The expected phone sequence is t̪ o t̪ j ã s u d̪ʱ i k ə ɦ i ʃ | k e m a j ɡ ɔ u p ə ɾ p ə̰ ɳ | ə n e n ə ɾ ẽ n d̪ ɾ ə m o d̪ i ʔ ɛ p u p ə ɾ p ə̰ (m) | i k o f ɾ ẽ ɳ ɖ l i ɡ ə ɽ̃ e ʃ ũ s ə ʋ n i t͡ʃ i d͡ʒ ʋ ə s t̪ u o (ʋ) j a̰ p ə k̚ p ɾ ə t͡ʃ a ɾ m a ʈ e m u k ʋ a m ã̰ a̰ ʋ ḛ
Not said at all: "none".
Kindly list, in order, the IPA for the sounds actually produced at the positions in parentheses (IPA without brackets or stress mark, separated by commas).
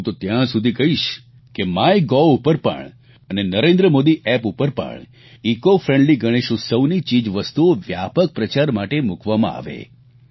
ɳ, ʋ